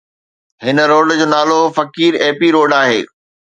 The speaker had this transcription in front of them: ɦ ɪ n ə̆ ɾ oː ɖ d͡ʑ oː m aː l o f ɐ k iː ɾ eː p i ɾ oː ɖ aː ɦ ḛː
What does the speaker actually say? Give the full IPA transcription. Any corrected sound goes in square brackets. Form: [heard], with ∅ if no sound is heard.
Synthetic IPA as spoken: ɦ ɪ n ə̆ ɾ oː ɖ d͡ʑ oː [n] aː l o f ɐ k iː ɾ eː p i ɾ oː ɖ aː ɦ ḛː